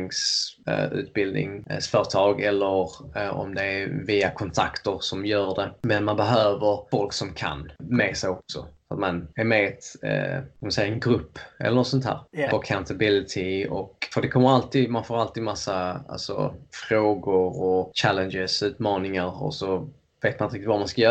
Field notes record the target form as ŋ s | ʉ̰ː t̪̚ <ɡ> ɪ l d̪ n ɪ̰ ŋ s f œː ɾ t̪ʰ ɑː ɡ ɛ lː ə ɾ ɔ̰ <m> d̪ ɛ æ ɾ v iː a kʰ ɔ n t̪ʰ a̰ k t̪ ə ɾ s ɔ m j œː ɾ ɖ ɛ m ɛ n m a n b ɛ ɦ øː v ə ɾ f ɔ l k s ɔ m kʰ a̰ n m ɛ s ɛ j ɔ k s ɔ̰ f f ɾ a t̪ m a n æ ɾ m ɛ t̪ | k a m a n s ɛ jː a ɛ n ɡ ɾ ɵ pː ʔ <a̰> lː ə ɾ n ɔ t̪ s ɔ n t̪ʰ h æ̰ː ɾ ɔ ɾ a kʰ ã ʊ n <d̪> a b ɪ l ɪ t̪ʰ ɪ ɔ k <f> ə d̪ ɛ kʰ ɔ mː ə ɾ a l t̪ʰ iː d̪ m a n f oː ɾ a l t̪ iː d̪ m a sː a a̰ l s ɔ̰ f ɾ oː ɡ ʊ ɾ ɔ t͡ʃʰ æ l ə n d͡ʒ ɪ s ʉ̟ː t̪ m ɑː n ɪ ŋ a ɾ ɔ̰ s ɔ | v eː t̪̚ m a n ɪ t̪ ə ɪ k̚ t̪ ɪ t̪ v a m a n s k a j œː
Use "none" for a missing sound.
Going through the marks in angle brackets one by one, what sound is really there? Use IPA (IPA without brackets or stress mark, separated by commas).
b, m, ɛ̰, t̪, f